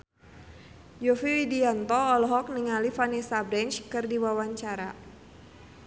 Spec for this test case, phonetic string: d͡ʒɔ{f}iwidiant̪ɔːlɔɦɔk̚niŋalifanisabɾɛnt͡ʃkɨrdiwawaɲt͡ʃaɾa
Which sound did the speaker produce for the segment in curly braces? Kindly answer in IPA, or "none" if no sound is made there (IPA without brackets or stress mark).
f